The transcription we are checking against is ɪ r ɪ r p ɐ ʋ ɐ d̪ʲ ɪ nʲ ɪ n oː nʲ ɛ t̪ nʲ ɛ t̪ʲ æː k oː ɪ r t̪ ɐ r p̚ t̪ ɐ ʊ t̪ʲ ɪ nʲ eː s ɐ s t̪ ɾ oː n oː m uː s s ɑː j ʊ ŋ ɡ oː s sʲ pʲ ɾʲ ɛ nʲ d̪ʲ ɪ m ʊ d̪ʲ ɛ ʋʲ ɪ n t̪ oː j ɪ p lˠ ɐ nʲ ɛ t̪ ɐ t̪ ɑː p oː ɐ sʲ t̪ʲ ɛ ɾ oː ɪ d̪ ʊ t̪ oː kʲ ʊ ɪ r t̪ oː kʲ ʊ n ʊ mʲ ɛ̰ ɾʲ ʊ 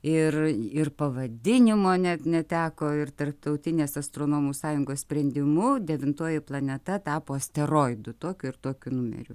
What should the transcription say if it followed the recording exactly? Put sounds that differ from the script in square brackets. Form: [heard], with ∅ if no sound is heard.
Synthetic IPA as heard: ɪ r ɪ r p ɐ ʋ ɐ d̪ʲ ɪ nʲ ɪ [m] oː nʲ ɛ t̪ nʲ ɛ t̪ʲ æː k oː ɪ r t̪ ɐ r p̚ t̪ ɐ ʊ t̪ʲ ɪ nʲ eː s ɐ s t̪ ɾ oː n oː m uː s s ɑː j ʊ ŋ ɡ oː s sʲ pʲ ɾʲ ɛ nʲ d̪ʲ ɪ m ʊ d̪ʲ ɛ ʋʲ ɪ n t̪ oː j ɪ p lˠ ɐ nʲ ɛ t̪ ɐ t̪ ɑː p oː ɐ sʲ t̪ʲ ɛ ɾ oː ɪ d̪ ʊ t̪ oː kʲ ʊ ɪ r t̪ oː kʲ ʊ n ʊ mʲ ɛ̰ ɾʲ ʊ